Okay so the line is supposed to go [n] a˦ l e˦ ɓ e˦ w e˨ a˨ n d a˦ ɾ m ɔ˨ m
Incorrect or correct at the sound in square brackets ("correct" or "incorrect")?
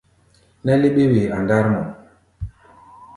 correct